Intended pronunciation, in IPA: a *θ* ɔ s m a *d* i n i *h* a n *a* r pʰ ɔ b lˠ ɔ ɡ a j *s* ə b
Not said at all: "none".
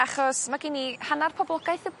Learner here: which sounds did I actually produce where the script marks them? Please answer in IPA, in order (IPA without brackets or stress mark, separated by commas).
χ, ɡ, h, a, θ